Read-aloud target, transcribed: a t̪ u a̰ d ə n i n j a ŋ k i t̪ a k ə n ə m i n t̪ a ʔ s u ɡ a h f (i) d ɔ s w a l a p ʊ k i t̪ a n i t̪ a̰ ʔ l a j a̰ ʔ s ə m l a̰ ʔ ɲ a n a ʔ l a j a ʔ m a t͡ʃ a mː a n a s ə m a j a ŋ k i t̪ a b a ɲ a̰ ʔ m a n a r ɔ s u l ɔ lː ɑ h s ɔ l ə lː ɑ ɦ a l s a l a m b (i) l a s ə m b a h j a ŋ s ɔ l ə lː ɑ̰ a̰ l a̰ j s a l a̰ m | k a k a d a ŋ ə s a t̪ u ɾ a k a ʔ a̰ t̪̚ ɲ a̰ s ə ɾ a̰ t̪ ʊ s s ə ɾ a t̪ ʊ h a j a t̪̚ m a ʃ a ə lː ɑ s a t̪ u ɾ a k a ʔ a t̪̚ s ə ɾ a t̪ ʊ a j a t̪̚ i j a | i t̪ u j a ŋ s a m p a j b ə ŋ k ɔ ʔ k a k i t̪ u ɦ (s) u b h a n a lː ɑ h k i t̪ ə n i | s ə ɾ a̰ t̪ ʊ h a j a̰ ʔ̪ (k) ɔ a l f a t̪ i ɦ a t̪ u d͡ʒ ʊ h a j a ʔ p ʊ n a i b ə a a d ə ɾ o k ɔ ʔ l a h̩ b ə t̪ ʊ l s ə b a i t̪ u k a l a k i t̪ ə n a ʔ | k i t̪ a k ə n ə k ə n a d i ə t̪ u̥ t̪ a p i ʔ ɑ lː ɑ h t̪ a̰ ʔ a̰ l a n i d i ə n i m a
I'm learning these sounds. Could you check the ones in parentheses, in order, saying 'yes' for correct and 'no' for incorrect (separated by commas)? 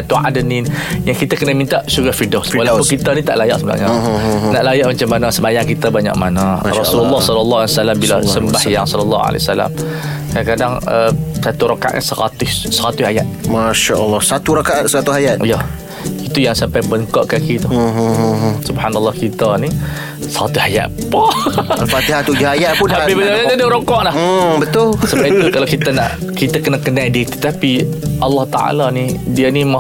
yes, yes, yes, no